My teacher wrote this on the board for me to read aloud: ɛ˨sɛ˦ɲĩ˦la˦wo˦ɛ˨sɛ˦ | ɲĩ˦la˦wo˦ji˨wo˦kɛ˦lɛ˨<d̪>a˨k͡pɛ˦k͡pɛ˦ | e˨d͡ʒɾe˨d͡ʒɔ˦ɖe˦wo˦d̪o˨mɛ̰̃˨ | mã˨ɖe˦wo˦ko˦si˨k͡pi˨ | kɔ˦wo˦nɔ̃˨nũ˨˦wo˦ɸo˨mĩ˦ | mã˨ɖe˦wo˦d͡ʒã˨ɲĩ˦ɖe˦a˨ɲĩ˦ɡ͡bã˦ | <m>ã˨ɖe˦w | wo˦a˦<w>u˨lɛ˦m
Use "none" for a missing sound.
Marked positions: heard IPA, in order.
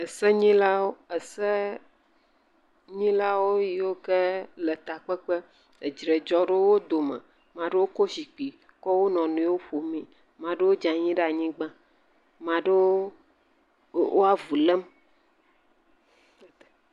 t̪, m, v

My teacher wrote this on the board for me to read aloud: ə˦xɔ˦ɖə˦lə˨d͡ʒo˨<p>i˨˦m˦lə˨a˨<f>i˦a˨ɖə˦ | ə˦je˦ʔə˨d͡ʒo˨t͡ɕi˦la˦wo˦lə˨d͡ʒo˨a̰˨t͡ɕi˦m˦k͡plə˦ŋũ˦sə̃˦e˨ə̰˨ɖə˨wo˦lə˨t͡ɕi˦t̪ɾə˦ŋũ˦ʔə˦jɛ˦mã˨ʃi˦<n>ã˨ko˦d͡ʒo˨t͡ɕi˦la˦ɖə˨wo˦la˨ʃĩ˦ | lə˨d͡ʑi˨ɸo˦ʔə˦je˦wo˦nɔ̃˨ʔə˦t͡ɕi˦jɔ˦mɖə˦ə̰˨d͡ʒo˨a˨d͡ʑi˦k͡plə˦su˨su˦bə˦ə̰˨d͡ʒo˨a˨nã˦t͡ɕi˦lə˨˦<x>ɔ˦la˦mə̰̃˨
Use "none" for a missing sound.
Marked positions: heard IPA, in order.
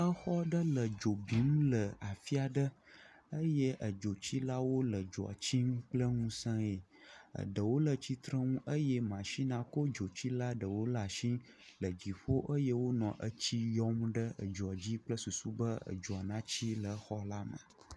b, f, n, x

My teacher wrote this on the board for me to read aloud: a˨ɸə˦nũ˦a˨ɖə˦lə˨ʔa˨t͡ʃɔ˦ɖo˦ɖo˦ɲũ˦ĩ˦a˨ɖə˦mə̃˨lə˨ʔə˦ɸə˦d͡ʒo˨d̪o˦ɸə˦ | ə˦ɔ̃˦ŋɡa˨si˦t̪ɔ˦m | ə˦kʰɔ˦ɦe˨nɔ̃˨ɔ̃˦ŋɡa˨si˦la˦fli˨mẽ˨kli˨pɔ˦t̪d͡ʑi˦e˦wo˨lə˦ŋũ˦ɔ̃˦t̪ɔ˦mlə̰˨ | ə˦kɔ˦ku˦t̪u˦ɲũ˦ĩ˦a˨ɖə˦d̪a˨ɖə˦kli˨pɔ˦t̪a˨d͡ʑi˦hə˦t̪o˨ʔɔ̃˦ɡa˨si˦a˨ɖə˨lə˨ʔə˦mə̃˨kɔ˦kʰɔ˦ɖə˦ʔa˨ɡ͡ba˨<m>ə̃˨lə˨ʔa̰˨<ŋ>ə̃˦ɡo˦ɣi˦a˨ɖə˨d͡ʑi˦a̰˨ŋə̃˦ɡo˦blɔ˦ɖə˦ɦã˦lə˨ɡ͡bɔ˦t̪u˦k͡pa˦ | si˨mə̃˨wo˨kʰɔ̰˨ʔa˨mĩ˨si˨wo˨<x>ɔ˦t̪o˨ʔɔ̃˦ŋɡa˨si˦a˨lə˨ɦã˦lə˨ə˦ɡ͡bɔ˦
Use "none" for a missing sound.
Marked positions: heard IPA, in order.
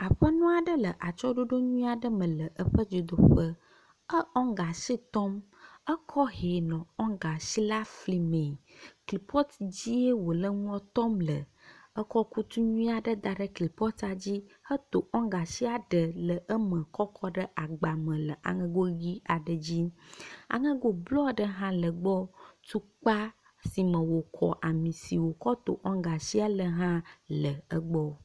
m, ŋ, k

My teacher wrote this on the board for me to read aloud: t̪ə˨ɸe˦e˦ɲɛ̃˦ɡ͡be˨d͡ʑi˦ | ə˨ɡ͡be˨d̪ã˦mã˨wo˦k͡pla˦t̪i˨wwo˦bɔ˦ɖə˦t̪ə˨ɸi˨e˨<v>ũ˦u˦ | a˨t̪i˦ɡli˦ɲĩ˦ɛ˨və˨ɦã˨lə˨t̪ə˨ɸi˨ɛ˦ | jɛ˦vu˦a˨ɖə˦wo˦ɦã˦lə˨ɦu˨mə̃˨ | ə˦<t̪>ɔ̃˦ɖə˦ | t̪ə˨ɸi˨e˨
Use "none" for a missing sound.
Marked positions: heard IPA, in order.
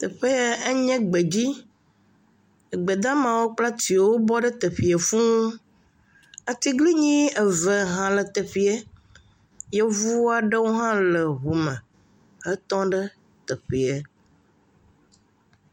f, t̪

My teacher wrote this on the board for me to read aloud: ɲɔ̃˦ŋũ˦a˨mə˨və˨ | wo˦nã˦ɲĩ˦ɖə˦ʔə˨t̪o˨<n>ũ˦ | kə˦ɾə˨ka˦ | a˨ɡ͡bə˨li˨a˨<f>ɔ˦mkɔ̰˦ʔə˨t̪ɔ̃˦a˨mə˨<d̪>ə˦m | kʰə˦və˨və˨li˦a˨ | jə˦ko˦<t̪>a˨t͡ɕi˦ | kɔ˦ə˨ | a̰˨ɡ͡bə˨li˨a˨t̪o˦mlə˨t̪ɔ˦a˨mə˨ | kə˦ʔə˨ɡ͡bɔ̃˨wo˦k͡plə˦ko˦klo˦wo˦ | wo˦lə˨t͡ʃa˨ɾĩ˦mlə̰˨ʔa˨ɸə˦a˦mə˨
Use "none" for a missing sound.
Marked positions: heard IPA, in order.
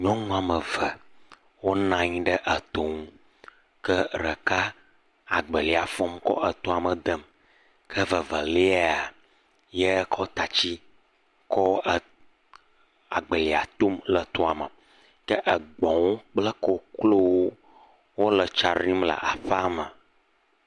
ŋ, f, d̪, t̪

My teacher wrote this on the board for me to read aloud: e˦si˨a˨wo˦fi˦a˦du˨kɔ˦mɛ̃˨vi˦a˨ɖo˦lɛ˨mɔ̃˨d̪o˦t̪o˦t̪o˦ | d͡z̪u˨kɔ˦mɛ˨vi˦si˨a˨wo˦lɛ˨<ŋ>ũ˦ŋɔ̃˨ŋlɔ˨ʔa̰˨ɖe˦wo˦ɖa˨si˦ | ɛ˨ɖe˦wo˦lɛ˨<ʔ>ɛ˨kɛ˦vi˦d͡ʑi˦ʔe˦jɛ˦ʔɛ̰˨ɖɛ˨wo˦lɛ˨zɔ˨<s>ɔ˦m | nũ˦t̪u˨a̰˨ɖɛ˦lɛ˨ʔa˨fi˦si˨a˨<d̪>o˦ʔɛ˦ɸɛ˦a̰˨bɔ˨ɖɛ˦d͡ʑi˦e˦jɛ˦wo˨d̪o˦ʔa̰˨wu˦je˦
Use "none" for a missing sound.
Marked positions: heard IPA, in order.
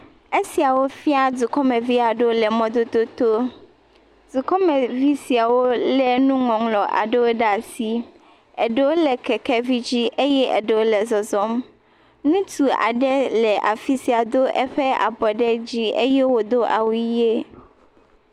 n, k, z, d̪

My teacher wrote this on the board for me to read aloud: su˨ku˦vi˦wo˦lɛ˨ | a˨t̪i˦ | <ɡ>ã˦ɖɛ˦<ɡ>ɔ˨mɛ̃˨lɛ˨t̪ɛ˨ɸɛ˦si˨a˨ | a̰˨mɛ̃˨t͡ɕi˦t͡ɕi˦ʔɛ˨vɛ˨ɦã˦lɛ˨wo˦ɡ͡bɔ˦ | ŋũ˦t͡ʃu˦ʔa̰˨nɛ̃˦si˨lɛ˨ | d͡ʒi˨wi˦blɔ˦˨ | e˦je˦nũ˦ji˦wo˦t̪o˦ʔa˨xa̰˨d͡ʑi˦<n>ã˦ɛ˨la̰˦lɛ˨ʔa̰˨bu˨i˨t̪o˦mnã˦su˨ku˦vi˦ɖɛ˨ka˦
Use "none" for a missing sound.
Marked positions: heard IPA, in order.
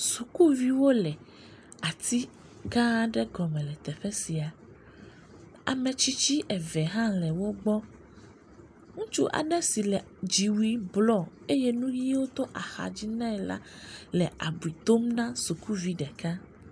ɡ, ɡ, n

